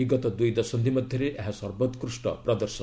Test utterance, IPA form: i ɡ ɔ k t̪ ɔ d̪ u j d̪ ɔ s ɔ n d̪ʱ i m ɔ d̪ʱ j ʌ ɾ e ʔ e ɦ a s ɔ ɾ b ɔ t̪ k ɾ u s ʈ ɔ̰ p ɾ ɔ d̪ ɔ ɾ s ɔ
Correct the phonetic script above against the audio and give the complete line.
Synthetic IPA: i ɡ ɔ t̪ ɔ d̪ u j d̪ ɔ s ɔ n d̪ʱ i m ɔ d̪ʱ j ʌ ɾ e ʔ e ɦ a s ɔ ɾ b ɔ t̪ k ɾ u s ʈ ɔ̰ p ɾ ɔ d̪ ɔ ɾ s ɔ